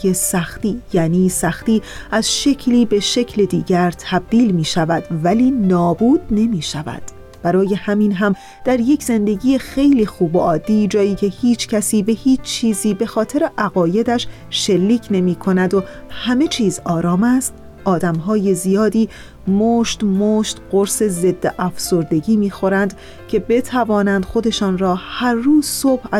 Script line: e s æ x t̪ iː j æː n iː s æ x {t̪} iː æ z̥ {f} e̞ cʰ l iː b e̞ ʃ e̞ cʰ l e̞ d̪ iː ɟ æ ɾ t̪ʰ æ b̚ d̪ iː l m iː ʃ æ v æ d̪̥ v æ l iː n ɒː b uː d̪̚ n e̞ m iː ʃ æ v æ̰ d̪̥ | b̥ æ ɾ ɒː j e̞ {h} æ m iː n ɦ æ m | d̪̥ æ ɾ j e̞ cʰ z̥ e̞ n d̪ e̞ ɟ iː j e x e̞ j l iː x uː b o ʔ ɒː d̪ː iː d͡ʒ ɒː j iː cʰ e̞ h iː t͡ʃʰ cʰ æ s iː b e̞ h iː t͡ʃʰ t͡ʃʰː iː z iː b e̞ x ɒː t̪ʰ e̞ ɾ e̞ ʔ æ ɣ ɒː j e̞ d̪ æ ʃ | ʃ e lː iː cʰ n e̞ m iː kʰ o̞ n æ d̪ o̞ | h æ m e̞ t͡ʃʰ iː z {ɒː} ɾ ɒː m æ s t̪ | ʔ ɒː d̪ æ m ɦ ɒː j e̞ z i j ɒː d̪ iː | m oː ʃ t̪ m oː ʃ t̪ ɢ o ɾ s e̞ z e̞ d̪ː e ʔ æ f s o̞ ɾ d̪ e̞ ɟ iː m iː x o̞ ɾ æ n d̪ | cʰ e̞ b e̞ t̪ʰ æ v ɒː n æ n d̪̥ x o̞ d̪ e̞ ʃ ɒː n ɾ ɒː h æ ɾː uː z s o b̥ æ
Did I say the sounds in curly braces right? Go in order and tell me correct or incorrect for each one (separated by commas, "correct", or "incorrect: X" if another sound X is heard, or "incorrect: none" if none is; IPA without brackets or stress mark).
correct, incorrect: ʃ, correct, correct